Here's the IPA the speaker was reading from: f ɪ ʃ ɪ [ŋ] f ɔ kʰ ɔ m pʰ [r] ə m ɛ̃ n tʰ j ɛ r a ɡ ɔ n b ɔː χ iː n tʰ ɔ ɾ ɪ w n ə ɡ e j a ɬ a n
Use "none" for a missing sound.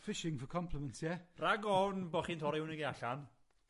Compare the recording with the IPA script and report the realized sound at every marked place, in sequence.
ŋ, l

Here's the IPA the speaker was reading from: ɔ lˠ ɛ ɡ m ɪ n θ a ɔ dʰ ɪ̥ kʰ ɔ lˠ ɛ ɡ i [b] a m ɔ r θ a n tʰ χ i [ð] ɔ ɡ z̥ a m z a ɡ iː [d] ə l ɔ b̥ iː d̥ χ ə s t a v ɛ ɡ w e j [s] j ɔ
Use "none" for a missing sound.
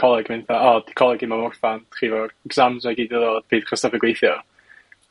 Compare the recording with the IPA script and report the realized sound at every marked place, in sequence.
m, v, d, θ

